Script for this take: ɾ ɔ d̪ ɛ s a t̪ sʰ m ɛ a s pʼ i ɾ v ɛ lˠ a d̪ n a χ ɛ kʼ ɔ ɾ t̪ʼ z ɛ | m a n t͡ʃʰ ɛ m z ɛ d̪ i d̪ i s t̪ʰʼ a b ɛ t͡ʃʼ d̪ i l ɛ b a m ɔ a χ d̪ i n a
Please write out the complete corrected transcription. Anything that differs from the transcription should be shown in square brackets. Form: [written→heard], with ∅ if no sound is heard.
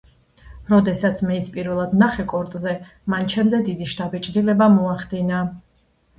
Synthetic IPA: ɾ ɔ d̪ ɛ s a t̪ sʰ m ɛ [a→i] s pʼ i ɾ v ɛ lˠ a d̪ n a χ ɛ kʼ ɔ ɾ t̪ʼ z ɛ | m a n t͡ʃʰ ɛ m z ɛ d̪ i d̪ i [s→ʃ] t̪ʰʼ a b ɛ t͡ʃʼ d̪ i l ɛ b a m ɔ a χ d̪ i n a